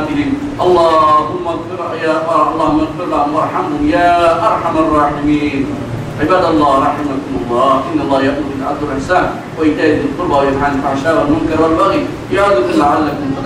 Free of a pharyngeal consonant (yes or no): no